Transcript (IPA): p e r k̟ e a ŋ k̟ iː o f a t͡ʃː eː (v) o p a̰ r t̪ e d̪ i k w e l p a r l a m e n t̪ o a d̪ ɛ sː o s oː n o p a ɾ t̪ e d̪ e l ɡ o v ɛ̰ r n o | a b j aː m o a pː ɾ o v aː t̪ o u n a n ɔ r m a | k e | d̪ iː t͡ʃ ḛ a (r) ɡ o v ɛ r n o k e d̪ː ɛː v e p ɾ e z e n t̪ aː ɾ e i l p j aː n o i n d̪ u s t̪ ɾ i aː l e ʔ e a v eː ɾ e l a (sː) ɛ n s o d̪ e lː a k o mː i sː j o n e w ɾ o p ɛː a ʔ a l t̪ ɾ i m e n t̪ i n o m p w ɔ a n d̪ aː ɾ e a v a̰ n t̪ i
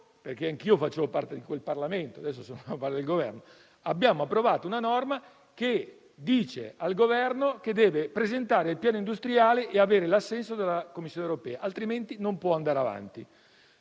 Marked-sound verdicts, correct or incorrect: correct, incorrect: l, correct

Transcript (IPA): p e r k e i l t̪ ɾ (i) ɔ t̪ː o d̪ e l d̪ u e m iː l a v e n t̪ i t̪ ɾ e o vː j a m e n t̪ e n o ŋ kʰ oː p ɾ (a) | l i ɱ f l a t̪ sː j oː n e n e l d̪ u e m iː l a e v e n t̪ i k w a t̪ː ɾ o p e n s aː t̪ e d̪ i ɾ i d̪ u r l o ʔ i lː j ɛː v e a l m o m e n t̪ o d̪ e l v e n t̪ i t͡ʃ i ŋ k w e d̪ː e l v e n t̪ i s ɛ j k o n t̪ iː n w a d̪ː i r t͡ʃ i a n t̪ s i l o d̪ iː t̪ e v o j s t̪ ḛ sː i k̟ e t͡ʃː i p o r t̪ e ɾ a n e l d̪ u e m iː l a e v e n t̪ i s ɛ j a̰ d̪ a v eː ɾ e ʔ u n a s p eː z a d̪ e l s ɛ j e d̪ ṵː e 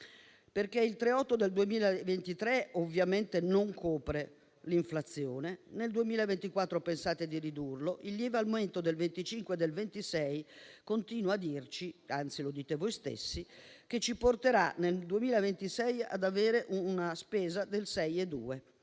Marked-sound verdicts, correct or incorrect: incorrect: e, incorrect: e

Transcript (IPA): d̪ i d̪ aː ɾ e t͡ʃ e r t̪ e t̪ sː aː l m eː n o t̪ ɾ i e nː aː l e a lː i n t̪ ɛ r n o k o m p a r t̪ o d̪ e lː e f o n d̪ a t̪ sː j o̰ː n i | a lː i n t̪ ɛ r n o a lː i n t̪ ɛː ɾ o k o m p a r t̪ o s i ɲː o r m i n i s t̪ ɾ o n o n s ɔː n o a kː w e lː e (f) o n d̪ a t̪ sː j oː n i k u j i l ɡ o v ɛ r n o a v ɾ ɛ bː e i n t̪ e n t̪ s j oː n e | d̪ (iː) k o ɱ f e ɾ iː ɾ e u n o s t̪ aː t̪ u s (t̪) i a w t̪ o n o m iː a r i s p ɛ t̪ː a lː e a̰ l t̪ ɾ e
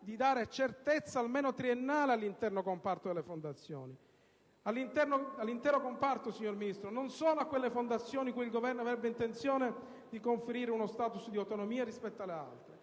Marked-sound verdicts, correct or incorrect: correct, incorrect: i, incorrect: d̪

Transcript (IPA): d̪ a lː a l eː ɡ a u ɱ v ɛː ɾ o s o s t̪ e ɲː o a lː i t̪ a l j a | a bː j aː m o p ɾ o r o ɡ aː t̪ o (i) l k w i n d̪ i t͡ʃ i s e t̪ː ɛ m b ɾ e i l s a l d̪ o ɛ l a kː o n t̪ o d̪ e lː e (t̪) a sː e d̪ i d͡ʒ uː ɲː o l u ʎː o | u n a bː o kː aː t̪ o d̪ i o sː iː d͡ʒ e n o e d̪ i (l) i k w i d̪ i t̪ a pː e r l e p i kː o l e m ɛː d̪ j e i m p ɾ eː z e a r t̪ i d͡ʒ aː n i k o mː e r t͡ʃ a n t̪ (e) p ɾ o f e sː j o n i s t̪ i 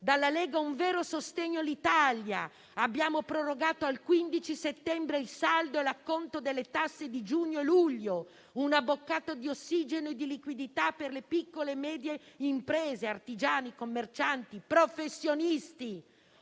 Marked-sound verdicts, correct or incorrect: incorrect: a, correct, correct, incorrect: i

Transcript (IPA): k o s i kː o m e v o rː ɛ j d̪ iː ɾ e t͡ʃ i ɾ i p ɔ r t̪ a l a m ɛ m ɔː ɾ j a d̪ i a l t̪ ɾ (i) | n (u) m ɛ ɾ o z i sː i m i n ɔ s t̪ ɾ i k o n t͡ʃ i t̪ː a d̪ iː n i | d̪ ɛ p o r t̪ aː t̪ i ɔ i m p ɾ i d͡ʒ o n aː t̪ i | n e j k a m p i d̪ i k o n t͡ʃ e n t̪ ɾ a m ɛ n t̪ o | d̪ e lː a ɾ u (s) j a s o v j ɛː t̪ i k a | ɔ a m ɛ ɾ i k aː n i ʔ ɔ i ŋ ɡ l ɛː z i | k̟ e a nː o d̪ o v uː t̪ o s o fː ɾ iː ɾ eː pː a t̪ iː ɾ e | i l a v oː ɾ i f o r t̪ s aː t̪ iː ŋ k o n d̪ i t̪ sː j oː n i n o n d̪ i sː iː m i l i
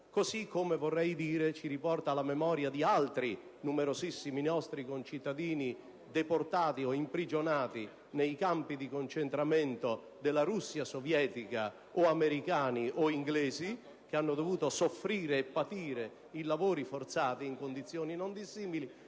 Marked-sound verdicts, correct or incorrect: correct, correct, incorrect: sː

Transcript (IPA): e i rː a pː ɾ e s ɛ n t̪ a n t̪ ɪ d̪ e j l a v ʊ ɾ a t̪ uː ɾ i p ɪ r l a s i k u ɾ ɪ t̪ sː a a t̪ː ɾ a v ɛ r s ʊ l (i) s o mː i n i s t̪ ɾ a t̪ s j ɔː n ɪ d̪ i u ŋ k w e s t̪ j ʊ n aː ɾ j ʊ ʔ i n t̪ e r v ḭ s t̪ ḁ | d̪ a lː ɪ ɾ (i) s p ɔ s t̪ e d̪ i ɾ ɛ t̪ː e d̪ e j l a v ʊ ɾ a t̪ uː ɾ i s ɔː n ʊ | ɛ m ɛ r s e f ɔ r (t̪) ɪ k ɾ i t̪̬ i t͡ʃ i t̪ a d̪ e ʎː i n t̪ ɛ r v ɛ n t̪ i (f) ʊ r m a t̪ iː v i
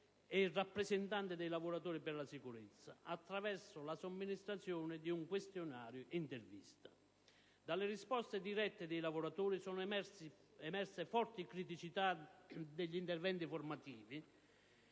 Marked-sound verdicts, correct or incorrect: incorrect: a, correct, correct, correct

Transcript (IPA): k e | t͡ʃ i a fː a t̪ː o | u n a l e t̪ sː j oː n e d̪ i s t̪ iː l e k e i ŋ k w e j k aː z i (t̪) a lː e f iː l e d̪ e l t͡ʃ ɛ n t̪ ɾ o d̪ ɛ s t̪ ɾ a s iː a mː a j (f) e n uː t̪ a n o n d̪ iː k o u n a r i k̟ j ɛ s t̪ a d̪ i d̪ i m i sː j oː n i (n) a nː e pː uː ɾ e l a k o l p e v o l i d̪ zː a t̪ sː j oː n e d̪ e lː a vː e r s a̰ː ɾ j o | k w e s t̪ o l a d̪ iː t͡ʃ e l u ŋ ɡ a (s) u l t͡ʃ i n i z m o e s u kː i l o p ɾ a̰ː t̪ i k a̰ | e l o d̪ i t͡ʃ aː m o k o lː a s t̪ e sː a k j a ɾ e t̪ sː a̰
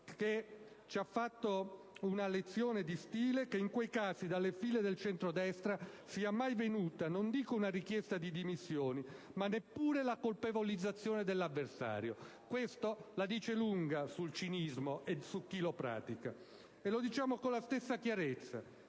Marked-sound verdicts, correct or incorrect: incorrect: d̪, incorrect: v, incorrect: m, correct

